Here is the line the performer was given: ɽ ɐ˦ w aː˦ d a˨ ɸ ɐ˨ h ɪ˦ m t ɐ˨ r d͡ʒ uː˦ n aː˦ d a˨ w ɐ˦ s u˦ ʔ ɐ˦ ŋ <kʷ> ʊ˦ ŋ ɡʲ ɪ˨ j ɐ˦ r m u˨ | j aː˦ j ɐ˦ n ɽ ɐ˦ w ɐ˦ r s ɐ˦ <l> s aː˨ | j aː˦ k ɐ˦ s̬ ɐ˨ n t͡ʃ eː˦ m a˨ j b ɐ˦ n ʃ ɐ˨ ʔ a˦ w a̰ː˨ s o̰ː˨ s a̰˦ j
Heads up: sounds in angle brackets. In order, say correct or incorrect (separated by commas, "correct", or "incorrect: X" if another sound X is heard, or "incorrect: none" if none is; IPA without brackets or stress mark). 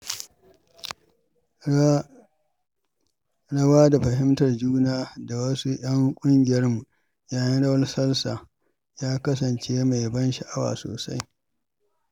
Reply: incorrect: kʷʼ, correct